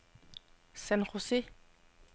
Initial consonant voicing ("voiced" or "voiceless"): voiceless